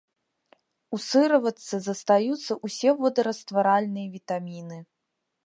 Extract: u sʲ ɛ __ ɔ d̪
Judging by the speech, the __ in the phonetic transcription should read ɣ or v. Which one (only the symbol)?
v